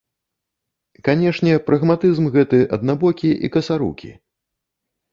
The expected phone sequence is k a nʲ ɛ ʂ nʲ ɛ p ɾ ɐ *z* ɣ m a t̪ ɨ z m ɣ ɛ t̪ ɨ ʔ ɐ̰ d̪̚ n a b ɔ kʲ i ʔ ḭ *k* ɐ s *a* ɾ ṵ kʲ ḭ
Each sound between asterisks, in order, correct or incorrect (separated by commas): incorrect, correct, correct